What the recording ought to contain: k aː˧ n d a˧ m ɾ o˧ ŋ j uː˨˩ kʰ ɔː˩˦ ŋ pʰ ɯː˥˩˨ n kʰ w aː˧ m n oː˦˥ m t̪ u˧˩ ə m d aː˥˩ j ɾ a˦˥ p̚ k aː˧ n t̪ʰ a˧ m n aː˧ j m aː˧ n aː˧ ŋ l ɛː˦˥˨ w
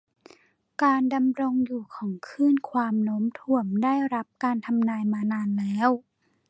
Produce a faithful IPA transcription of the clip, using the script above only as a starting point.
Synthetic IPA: k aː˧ n d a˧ m ɾ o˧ ŋ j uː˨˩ kʰ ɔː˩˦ ŋ kʰ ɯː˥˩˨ n kʰ w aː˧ m n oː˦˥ m t̪ʰ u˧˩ ə m d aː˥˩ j ɾ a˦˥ p̚ k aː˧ n t̪ʰ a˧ m n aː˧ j m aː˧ n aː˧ n l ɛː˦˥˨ w